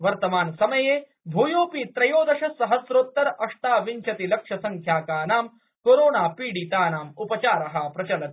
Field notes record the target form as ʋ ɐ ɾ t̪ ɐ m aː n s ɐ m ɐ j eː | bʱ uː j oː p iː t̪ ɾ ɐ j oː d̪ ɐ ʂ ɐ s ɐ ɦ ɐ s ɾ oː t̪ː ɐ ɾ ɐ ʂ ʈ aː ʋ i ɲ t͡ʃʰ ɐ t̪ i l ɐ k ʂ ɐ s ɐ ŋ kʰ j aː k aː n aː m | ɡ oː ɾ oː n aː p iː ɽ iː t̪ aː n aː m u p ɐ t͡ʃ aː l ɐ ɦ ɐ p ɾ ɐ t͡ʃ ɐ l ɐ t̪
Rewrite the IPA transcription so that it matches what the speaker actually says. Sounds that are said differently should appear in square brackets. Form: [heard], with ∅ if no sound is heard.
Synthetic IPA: ʋ ɐ ɾ t̪ ɐ m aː n s ɐ m ɐ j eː | bʱ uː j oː p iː t̪ ɾ ɐ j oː d̪ ɐ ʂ ɐ s ɐ ɦ ɐ s ɾ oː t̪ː ɐ ɾ ɐ ʂ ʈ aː ʋ i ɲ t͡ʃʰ ɐ t̪ i l ɐ k ʂ ɐ s ɐ ŋ kʰ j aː k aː n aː m | [k] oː ɾ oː n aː p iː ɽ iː t̪ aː n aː m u p ɐ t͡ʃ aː [ɾ] ɐ ɦ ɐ p ɾ ɐ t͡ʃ ɐ l ɐ t̪

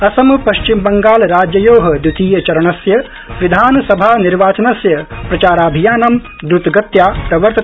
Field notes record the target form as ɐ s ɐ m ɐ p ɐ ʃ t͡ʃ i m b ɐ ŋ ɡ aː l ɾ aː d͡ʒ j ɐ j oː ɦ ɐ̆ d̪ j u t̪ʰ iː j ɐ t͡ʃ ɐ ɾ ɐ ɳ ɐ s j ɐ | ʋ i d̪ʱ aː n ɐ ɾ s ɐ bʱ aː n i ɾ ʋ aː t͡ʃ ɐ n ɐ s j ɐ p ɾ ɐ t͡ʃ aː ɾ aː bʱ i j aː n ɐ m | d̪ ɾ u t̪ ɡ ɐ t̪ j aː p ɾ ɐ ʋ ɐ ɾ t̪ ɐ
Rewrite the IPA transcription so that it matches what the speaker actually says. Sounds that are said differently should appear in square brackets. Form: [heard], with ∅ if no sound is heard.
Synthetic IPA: ɐ s ɐ m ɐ p ɐ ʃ t͡ʃ i m b ɐ ŋ ɡ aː l ɾ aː d͡ʒ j ɐ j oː ɦ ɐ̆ d̪ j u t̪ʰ iː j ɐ t͡ʃ ɐ ɾ ɐ ɳ ɐ s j ɐ | ʋ i d̪ʱ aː n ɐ [∅] s ɐ bʱ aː n i ɾ ʋ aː t͡ʃ ɐ n ɐ s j ɐ p ɾ ɐ t͡ʃ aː ɾ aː bʱ i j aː n ɐ m | d̪ ɾ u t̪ ɡ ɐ t̪ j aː p ɾ ɐ ʋ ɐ ɾ t̪ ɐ

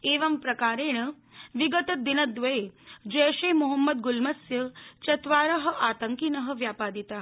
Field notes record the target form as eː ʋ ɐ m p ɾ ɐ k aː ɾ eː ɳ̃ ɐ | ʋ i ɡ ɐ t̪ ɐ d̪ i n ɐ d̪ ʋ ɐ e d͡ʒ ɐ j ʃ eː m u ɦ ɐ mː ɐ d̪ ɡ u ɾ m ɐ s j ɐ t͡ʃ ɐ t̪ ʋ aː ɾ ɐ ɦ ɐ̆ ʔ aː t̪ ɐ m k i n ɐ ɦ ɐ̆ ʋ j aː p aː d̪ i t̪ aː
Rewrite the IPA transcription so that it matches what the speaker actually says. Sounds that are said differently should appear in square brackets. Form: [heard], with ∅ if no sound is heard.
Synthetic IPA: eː ʋ ɐ m p ɾ ɐ k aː ɾ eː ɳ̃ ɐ | ʋ i ɡ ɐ t̪ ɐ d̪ i n ɐ d̪ ʋ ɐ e d͡ʒ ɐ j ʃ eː m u ɦ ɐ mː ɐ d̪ ɡ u [l] m ɐ s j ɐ t͡ʃ ɐ t̪ ʋ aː ɾ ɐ ɦ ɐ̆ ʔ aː t̪ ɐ [ŋ] k i n ɐ ɦ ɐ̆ ʋ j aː p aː d̪ i t̪ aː

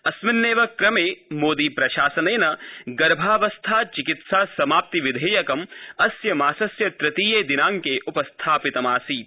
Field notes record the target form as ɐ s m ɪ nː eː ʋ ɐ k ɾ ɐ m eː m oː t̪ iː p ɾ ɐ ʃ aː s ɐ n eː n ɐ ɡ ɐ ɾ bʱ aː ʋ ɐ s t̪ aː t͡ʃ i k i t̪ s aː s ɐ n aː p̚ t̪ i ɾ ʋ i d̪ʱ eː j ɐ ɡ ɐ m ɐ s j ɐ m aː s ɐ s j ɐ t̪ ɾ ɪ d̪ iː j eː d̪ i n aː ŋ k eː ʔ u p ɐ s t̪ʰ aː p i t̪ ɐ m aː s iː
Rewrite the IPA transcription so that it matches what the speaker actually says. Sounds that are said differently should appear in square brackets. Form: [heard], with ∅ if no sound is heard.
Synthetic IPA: ɐ s m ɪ nː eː ʋ ɐ k ɾ ɐ m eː m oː [d̪] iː p ɾ ɐ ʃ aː s ɐ n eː n ɐ ɡ ɐ ɾ bʱ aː ʋ ɐ s [t̪ʰ] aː t͡ʃ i k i t̪ s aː s ɐ [m] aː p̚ t̪ i [∅] ʋ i d̪ʱ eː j ɐ [k] ɐ m ɐ s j ɐ m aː s ɐ s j ɐ t̪ ɾ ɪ [t̪] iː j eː d̪ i n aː ŋ k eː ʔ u p ɐ s t̪ʰ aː p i t̪ ɐ m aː s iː

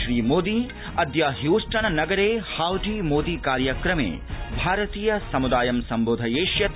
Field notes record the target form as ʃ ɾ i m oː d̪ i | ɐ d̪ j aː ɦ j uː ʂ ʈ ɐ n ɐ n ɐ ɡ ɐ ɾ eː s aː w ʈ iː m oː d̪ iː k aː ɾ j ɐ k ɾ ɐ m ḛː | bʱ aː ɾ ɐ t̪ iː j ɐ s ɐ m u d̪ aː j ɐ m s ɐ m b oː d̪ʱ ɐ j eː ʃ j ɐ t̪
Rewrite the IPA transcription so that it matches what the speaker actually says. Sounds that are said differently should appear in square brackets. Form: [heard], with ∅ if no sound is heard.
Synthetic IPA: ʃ ɾ [iː] m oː d̪ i | ɐ d̪ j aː ɦ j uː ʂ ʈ ɐ n ɐ n ɐ ɡ ɐ ɾ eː [h] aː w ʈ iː m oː d̪ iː k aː ɾ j ɐ k ɾ ɐ m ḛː | bʱ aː ɾ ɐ t̪ iː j ɐ s ɐ m u d̪ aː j ɐ m s ɐ m b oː d̪ʱ ɐ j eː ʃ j ɐ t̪

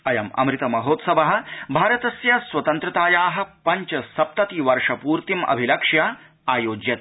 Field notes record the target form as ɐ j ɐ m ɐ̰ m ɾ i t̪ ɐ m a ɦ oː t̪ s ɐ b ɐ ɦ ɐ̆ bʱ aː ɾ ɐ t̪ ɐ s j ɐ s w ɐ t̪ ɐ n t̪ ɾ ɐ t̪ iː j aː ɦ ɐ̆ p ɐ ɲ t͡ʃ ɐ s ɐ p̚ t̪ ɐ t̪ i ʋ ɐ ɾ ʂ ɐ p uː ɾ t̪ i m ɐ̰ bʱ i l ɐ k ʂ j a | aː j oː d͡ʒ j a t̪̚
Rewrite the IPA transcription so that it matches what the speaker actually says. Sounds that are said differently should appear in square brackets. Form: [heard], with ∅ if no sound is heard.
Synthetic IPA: ɐ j ɐ m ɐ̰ m ɾ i t̪ ɐ m [ɐ] ɦ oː t̪ s ɐ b ɐ ɦ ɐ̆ bʱ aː ɾ ɐ t̪ ɐ s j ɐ s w ɐ t̪ ɐ n t̪ ɾ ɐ t̪ [aː] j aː ɦ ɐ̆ p ɐ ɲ t͡ʃ ɐ s ɐ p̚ t̪ ɐ t̪ i ʋ ɐ ɾ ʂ ɐ p uː ɾ t̪ i m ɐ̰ bʱ i l ɐ k ʂ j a | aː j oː d͡ʒ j [ɐ] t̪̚

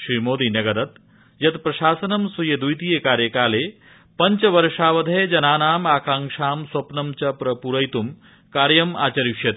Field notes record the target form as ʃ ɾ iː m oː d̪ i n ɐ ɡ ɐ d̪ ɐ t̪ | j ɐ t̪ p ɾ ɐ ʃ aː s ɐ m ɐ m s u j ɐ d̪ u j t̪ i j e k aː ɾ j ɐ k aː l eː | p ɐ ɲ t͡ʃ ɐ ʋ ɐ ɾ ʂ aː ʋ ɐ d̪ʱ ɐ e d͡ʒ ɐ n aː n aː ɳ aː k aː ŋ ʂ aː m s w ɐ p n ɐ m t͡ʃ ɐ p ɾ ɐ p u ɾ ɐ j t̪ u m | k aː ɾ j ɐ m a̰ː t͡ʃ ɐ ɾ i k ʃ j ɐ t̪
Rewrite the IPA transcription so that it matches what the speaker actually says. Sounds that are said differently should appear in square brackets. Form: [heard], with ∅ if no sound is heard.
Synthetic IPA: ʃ ɾ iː m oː d̪ i n ɐ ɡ ɐ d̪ ɐ t̪ | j ɐ t̪ p ɾ ɐ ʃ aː s ɐ [n] ɐ m s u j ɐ d̪ u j t̪ i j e k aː ɾ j ɐ k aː l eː | p ɐ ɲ t͡ʃ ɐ ʋ ɐ ɾ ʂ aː ʋ ɐ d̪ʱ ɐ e d͡ʒ ɐ n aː n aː [m] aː k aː ŋ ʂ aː m s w ɐ p n ɐ m t͡ʃ ɐ p ɾ ɐ p u ɾ ɐ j t̪ u m | k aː ɾ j ɐ m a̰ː t͡ʃ ɐ ɾ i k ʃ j ɐ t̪

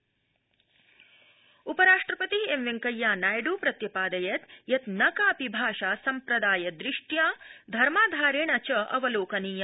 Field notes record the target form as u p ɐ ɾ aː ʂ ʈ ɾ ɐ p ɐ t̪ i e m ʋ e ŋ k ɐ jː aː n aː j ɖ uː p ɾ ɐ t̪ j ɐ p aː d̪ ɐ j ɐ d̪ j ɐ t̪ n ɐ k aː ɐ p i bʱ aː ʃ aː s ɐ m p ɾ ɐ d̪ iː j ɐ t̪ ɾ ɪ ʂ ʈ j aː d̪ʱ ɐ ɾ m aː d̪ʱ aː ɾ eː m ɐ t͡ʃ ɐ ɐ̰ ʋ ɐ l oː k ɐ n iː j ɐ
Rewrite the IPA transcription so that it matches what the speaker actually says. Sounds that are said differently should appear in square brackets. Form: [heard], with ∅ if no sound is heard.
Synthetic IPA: u p ɐ ɾ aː ʂ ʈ ɾ ɐ p ɐ t̪ i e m ʋ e ŋ k ɐ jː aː n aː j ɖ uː p ɾ ɐ t̪ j ɐ p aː d̪ ɐ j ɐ [t̪] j ɐ t̪ n ɐ k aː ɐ p i bʱ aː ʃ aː s ɐ m p ɾ ɐ d̪ [aː] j ɐ [d̪] ɾ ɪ ʂ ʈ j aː d̪ʱ ɐ ɾ m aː d̪ʱ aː ɾ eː [ɳ] ɐ t͡ʃ ɐ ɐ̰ ʋ ɐ l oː k ɐ n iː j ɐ

